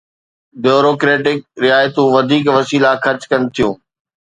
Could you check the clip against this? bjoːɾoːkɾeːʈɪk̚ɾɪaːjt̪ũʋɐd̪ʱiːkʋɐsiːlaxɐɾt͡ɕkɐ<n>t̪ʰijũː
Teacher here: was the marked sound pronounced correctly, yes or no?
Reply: yes